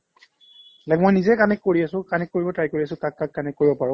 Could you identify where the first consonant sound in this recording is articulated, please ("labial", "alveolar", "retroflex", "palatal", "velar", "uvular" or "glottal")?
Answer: alveolar